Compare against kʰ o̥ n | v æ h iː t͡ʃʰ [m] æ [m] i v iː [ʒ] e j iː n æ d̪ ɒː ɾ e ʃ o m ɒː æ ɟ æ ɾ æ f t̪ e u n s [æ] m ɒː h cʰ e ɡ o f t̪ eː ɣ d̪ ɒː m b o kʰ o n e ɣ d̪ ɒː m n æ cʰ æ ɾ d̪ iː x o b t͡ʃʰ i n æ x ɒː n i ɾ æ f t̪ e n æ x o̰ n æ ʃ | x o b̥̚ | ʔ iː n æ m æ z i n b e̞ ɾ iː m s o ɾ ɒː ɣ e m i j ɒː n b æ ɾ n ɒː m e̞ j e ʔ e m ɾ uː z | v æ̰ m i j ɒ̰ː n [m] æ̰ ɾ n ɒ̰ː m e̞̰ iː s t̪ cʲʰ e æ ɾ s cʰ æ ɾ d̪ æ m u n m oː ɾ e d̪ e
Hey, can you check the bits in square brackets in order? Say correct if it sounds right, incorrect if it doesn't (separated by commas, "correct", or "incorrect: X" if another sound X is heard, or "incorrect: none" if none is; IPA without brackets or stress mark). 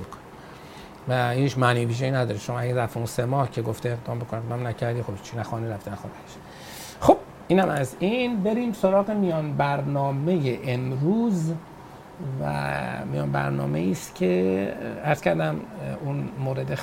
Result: correct, incorrect: n, correct, incorrect: e, incorrect: b